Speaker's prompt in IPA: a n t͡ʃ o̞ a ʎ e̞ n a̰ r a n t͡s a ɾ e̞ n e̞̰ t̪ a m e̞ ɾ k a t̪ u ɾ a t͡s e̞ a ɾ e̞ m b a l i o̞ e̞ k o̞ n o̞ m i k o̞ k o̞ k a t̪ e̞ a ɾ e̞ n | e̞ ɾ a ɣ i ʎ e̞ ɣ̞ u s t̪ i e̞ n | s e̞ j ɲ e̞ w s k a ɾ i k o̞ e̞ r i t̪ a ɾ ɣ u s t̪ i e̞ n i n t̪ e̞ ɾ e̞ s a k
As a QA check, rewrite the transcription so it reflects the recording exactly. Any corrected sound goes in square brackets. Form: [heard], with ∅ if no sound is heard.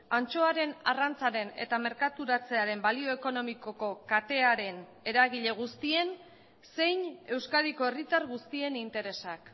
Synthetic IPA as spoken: a n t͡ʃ o̞ a [ɾ] e̞ n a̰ r a n t͡s a ɾ e̞ n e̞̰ t̪ a m e̞ ɾ k a t̪ u ɾ a t͡s e̞ a ɾ e̞ m b a l i o̞ e̞ k o̞ n o̞ m i k o̞ k o̞ k a t̪ e̞ a ɾ e̞ n | e̞ ɾ a ɣ i ʎ e̞ ɣ̞ u s t̪ i e̞ n | s e̞ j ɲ e̞ w s k a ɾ i k o̞ e̞ r i t̪ a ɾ ɣ u s t̪ i e̞ n i n t̪ e̞ ɾ e̞ s a k

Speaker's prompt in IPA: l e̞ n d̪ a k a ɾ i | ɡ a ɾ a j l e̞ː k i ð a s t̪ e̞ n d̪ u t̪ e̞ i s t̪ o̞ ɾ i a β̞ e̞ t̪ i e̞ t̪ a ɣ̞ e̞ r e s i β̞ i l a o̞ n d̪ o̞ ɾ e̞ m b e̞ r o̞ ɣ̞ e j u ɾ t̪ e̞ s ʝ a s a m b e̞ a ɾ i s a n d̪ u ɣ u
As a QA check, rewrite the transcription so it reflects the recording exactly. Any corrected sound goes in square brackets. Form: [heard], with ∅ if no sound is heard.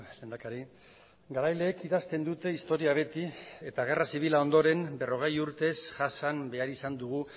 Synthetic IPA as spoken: l e̞ n d̪ a k a ɾ i | ɡ a ɾ a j l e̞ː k i ð a s t̪ e̞ n d̪ u t̪ e̞ i s t̪ o̞ ɾ i a β̞ e̞ t̪ i e̞ t̪ a ɣ̞ e̞ r [a] s i β̞ i l a o̞ n d̪ o̞ ɾ e̞ m b e̞ r o̞ ɣ̞ e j u ɾ t̪ e̞ s ʝ a s a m b e̞ a ɾ i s a n d̪ u ɣ u

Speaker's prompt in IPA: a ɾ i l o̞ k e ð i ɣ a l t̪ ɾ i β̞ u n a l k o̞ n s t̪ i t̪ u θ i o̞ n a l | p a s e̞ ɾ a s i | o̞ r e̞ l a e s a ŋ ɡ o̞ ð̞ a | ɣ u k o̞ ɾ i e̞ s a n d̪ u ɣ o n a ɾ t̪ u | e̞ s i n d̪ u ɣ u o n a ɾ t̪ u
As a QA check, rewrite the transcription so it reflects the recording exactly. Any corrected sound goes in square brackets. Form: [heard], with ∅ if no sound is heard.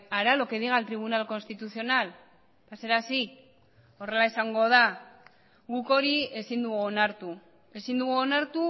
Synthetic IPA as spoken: a ɾ [a] l o̞ k e ð i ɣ a l t̪ ɾ i β̞ u n a l k o̞ n s t̪ i t̪ u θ i o̞ n a l | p a s e̞ ɾ a s i | o̞ r e̞ l a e s a ŋ ɡ o̞ ð̞ a | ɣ u k o̞ ɾ i e̞ s [i] n d̪ u ɣ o n a ɾ t̪ u | e̞ s i n d̪ u ɣ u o n a ɾ t̪ u

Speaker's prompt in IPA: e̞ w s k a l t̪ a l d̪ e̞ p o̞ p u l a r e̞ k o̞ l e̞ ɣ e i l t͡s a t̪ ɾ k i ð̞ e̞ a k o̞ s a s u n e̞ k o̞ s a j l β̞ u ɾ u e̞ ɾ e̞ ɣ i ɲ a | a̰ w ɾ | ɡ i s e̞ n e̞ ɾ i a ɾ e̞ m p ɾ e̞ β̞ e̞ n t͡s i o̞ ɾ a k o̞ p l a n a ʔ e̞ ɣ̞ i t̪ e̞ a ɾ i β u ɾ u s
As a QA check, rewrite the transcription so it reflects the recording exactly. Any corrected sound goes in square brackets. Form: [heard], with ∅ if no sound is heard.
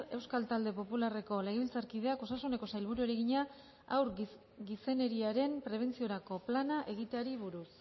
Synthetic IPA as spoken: e̞ w s k a l t̪ a l d̪ e̞ p o̞ p u l a r e̞ k o̞ l e̞ ɣ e i l t͡s a [∅] ɾ k i ð̞ e̞ a k o̞ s a s u n e̞ k o̞ s a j l β̞ u ɾ u e̞ ɾ e̞ ɣ i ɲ a | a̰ w ɾ | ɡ i s e̞ n e̞ ɾ i a ɾ e̞ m p ɾ e̞ β̞ e̞ n t͡s i o̞ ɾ a k o̞ p l a n a ʔ e̞ ɣ̞ i t̪ e̞ a ɾ i β u ɾ u s

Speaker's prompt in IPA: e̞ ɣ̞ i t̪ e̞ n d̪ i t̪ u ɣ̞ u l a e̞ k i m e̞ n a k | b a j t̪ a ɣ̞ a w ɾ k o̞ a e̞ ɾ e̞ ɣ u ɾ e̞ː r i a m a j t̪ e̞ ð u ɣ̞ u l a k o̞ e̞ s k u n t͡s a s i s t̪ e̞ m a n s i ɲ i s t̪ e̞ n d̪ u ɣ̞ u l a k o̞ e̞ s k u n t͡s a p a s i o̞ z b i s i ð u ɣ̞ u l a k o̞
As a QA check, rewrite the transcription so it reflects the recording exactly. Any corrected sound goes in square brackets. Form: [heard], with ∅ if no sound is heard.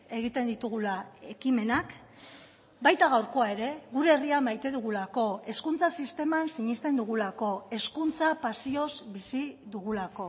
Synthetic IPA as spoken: e̞ ɣ̞ i t̪ e̞ n d̪ i t̪ u ɣ̞ u l a e̞ k i m e̞ n a k | b a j t̪ a ɣ̞ a w ɾ k o̞ a e̞ ɾ e̞ ɣ u ɾ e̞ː r i a m a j t̪ e̞ ð u ɣ̞ u l a k o̞ e̞ s k u n t͡s a s i s t̪ e̞ m a n s i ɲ i s t̪ e̞ n d̪ u ɣ̞ u l a k o̞ e̞ s k u n t͡s a p a s i o̞ z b i s i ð u ɣ̞ u l a k o̞

